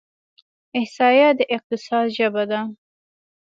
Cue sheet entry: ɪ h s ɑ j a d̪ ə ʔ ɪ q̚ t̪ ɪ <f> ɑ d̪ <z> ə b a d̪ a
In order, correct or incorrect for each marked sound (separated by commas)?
incorrect, incorrect